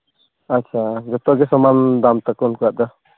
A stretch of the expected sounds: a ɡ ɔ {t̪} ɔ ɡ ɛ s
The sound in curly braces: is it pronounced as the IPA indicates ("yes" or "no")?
yes